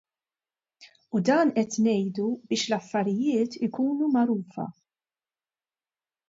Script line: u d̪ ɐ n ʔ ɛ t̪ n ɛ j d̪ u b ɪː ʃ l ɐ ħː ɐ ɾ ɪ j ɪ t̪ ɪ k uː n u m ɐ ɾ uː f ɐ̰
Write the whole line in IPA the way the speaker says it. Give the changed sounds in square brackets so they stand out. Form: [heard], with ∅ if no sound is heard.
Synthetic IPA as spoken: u d̪ [ɐː] n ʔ ɛ t̪ n ɛ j d̪ u b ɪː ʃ l ɐ [fː] ɐ ɾ ɪ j [ɪː] t̪ ɪ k uː n u m ɐ ɾ uː f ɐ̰